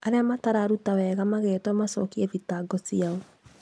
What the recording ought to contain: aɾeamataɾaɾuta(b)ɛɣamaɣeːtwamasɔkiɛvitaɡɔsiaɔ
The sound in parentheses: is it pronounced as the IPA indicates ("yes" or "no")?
no